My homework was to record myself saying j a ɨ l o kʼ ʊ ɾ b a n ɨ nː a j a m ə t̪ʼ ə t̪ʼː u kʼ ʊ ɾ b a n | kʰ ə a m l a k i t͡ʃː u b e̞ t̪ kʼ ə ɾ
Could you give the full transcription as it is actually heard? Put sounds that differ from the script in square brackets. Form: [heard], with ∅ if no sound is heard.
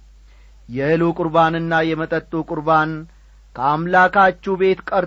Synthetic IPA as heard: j [ɛ] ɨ l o kʼ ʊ ɾ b a n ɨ nː a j [ɛ] m ə t̪ʼ ə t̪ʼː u kʼ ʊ ɾ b a n | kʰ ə a m l a k [a] t͡ʃː u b e̞ t̪ kʼ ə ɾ